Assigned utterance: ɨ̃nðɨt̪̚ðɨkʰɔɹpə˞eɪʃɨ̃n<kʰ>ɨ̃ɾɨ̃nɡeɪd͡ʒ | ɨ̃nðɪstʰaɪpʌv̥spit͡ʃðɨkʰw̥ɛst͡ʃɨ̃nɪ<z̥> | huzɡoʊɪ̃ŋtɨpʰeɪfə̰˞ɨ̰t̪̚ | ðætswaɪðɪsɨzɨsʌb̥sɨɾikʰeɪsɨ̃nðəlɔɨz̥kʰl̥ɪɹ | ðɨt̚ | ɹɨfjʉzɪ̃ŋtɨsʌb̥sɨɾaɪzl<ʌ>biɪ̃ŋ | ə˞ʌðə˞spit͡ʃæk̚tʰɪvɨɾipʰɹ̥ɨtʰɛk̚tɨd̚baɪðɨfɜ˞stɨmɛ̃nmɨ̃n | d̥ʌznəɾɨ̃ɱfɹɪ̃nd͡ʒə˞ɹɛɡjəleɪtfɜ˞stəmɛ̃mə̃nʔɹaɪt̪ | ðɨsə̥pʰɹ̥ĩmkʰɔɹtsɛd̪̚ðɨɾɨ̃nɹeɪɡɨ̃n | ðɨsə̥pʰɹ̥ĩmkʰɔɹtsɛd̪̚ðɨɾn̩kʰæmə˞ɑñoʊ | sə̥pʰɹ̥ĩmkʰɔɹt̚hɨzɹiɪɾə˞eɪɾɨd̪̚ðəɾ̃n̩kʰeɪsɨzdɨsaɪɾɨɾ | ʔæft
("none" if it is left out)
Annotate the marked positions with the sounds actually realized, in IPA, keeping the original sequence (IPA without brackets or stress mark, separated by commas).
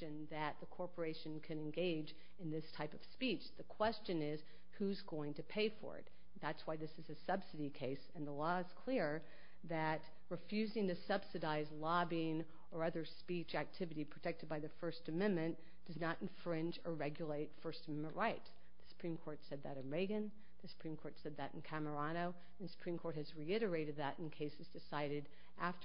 kʰ, z̥, ɑ